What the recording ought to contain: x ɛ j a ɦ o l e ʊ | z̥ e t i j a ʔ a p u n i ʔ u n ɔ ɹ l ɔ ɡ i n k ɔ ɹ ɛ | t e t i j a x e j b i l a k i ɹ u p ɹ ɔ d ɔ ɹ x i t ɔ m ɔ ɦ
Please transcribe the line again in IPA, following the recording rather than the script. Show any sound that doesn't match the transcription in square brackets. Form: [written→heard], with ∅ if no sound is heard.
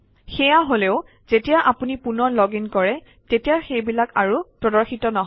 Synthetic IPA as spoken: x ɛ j a ɦ o l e ʊ | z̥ e t i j a ʔ a p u n i [ʔ→p] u n ɔ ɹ l ɔ ɡ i n k ɔ ɹ ɛ | t e t i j a x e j b i l a k [i→a] ɹ u p ɹ ɔ d ɔ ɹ x i t ɔ [m→n] ɔ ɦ